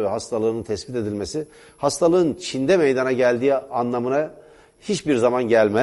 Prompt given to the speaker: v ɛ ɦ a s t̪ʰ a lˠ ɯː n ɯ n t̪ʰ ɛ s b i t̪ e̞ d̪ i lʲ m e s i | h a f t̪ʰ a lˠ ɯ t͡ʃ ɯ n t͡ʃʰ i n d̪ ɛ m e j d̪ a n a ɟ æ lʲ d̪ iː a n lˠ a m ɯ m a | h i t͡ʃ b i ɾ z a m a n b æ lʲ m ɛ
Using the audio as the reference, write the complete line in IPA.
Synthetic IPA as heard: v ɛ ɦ a s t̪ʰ a lˠ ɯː n ɯ n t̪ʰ ɛ s b i t̪ e̞ d̪ i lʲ m e s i | h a s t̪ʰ a lˠ ɯ ɯ n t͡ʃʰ i n d̪ ɛ m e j d̪ a n a ɟ æ lʲ d̪ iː a n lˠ a m ɯ n a | h i t͡ʃ b i ɾ z a m a n ɟ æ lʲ m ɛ